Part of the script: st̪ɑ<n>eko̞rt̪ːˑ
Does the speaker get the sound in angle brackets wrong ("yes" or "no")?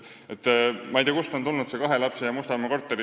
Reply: yes